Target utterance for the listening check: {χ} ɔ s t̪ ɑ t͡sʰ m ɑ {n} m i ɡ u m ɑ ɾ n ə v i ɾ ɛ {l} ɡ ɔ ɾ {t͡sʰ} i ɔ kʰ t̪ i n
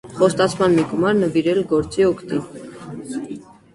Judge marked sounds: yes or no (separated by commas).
yes, yes, yes, no